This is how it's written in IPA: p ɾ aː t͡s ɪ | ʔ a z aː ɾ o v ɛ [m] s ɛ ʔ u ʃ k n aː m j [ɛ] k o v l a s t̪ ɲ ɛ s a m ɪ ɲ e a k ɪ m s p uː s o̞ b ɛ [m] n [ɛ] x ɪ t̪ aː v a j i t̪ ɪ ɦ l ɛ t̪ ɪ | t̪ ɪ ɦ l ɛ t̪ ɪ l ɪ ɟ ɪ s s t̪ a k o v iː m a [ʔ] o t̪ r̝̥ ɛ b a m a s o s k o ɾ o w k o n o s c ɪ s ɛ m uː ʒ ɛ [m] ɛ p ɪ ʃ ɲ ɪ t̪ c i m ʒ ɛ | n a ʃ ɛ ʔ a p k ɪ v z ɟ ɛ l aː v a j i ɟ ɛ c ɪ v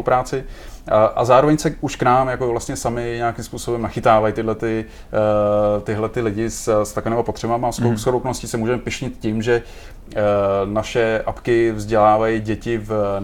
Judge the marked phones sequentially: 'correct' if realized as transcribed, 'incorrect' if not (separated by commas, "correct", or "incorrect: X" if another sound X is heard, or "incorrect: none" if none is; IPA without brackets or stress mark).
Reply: incorrect: ɲ, incorrect: a, correct, incorrect: a, incorrect: p, correct